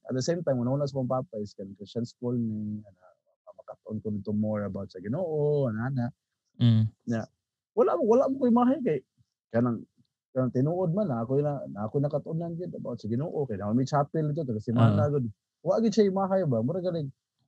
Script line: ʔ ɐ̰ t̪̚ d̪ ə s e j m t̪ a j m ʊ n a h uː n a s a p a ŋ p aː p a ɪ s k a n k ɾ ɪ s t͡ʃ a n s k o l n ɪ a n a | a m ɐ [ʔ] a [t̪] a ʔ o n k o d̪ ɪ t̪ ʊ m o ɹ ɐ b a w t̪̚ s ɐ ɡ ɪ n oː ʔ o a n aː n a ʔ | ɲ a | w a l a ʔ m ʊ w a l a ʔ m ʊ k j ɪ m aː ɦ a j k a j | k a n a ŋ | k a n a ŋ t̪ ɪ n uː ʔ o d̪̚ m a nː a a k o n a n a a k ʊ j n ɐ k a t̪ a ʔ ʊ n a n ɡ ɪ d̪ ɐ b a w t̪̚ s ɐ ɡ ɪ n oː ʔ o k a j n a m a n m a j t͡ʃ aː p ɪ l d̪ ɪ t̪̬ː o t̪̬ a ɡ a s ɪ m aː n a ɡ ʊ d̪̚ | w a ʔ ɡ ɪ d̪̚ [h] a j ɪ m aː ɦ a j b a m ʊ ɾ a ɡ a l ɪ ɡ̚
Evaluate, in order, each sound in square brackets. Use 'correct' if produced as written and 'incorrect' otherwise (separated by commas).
incorrect, correct, incorrect